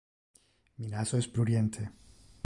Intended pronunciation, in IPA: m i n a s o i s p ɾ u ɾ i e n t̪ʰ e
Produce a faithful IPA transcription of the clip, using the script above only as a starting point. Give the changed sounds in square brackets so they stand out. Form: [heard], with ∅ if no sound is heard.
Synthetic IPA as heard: m i n a s o [e] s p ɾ u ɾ [j] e n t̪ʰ e

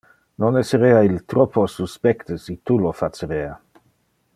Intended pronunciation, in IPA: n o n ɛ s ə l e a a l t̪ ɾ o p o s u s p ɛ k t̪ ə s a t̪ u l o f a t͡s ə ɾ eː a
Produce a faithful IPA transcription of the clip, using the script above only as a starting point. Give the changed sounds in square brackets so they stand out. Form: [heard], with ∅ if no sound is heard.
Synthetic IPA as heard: n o n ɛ s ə [ɾ] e a [i] l t̪ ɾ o p o s u s p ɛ k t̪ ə s [i] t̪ u l o f a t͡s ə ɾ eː a

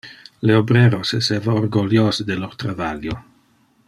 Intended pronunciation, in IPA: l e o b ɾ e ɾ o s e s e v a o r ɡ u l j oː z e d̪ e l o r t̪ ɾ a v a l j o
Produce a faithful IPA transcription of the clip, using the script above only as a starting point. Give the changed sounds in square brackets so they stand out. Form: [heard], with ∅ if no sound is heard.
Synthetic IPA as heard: l e o b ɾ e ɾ o s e s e v a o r ɡ [o] l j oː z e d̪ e l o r t̪ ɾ a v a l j o

